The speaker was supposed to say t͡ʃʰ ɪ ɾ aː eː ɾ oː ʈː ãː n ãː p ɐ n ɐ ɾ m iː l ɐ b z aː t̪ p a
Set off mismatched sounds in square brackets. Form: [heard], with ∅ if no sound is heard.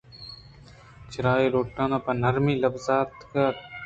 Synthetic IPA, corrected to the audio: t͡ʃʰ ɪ ɾ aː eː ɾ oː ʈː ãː n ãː p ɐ n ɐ ɾ m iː l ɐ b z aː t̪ [k] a

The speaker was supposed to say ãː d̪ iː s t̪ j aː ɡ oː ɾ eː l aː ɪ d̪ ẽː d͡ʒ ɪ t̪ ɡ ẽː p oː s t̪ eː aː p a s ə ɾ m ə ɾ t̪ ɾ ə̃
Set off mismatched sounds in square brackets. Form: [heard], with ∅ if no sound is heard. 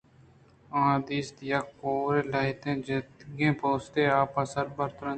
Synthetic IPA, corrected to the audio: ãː d̪ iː s t̪ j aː [k] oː ɾ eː l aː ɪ [t̪] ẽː d͡ʒ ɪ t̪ ɡ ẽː p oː s t̪ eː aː p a s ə ɾ [b] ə ɾ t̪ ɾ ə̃

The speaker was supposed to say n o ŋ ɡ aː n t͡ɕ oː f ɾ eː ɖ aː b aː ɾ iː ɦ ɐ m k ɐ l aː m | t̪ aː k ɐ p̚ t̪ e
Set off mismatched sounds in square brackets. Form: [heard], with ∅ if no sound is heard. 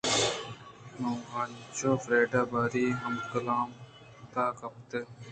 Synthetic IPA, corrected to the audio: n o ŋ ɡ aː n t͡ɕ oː f ɾ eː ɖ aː b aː ɾ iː ɦ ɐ m k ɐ l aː m | t̪ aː k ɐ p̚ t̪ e

